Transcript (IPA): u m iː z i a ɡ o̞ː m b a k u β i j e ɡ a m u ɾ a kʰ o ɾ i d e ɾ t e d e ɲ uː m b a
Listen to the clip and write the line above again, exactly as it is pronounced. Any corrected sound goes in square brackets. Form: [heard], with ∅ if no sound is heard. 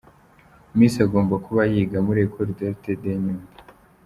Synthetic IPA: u m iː [s] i a ɡ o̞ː m b a k u β [a] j [i] ɡ a m u ɾ [e] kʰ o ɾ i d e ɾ t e d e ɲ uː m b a